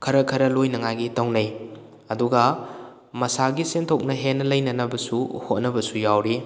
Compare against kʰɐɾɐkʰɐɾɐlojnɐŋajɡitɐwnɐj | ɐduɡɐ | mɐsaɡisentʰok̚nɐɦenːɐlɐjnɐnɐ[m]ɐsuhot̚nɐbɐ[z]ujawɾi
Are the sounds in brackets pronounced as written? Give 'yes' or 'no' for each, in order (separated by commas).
no, no